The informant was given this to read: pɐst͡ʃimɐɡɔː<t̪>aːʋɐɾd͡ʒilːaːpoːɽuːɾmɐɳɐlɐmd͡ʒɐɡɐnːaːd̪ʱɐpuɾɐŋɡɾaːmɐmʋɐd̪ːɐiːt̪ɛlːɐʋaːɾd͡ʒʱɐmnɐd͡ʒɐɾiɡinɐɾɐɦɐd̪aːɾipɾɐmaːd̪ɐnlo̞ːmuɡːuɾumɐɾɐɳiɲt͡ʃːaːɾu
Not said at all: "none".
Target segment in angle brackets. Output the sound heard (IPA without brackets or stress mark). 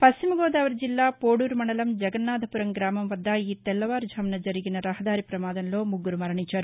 d̪